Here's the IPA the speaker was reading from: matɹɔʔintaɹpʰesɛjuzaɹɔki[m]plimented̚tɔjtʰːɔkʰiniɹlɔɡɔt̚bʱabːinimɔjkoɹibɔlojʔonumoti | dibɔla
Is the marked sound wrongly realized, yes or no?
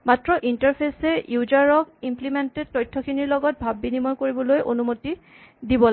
no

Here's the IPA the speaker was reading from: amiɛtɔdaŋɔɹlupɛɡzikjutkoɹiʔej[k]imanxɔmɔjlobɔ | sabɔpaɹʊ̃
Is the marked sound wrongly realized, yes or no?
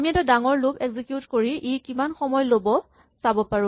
no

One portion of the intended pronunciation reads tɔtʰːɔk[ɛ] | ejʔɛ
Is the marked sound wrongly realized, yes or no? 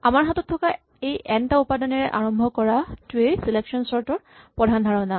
yes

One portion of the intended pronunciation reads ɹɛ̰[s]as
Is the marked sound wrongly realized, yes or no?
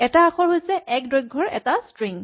yes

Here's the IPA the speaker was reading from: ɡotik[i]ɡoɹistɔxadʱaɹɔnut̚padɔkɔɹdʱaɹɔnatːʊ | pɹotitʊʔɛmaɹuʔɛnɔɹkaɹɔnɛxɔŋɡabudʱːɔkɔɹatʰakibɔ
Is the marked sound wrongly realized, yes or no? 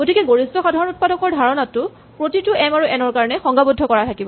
yes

